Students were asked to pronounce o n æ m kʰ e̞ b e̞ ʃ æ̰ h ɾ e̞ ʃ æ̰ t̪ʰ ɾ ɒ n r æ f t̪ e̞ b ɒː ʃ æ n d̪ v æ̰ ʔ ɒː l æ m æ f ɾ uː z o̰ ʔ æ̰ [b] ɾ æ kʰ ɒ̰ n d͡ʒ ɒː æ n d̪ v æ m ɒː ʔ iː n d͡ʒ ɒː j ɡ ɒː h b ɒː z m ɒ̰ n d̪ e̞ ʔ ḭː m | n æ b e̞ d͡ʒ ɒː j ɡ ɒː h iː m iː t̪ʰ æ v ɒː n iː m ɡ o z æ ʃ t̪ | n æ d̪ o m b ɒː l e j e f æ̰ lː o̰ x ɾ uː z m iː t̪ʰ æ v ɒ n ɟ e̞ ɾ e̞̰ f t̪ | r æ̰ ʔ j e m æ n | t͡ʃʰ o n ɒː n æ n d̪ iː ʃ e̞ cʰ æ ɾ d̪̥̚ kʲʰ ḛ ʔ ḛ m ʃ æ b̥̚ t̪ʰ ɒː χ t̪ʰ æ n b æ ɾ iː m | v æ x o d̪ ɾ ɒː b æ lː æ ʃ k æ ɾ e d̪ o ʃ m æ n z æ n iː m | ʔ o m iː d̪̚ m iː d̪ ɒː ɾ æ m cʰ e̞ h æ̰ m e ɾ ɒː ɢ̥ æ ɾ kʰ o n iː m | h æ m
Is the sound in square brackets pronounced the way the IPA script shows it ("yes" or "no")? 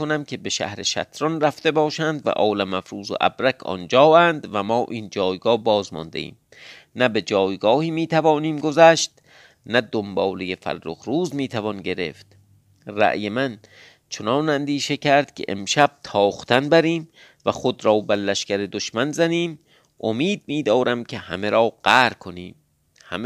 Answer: yes